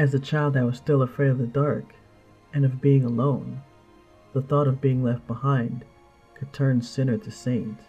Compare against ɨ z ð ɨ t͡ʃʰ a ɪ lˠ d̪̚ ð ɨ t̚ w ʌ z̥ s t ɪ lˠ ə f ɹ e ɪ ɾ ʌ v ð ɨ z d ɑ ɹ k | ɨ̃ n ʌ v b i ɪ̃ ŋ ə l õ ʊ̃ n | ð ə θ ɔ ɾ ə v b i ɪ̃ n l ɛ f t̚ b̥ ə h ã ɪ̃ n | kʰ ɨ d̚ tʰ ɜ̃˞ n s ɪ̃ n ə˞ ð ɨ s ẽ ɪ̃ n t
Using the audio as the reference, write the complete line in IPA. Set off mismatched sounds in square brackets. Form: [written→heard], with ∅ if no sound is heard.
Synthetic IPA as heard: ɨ z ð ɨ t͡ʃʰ a ɪ lˠ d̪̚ ð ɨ t̚ w ʌ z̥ s t ɪ lˠ ə f ɹ e ɪ ɾ ʌ v ð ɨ [z→∅] d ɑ ɹ k | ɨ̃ n ʌ v b i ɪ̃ ŋ ə l õ ʊ̃ n | ð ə θ ɔ ɾ [ə→ʌ] v b i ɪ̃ [n→ŋ] l ɛ f t̚ b̥ ə h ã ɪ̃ n | kʰ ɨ d̚ tʰ ɜ̃˞ n s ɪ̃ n ə˞ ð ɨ s ẽ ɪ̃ n t